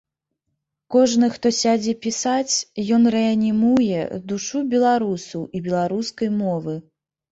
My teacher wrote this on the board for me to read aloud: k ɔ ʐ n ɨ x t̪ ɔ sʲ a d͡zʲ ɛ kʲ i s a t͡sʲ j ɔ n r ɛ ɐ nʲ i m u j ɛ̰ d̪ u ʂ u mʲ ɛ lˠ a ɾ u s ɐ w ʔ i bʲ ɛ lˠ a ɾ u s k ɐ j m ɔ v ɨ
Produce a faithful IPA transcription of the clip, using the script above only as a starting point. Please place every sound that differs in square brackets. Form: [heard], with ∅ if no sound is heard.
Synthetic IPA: k ɔ ʐ n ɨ x t̪ ɔ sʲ a d͡zʲ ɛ [pʲ] i s a t͡sʲ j ɔ n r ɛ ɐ nʲ i m u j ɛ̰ d̪ u ʂ u [bʲ] ɛ lˠ a ɾ u s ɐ w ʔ i bʲ ɛ lˠ a ɾ u s k ɐ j m ɔ v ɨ